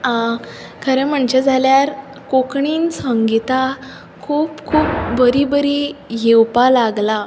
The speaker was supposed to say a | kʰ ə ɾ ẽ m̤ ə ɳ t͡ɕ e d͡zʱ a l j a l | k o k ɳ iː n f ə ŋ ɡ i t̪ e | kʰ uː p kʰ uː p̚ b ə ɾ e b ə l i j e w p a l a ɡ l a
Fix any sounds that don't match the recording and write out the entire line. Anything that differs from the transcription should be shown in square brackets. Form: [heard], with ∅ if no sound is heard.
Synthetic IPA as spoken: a | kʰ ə ɾ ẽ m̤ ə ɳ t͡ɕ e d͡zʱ a l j a [ɾ] | k o k ɳ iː n [s] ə ŋ ɡ i t̪ [a] | kʰ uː p kʰ uː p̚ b ə ɾ [i] b ə [ɾ] i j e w p a l a ɡ l a